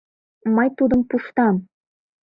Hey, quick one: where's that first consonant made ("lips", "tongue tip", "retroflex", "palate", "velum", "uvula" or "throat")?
lips